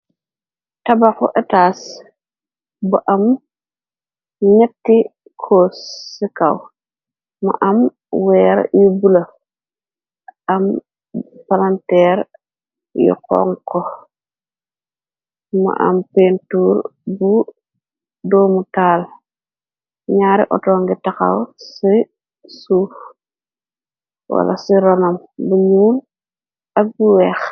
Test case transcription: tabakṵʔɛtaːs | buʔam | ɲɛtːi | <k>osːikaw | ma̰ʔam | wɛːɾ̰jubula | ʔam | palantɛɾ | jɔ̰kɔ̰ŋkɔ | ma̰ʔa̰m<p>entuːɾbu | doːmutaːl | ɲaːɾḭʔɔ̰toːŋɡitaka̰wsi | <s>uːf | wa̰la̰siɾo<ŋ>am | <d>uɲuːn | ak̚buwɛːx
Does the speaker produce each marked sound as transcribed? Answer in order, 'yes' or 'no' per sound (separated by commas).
no, yes, yes, no, no